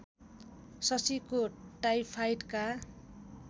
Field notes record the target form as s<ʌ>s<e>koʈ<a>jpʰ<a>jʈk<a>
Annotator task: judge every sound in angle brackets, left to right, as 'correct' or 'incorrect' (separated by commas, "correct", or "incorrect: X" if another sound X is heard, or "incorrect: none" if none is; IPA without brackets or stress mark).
correct, incorrect: i, correct, correct, correct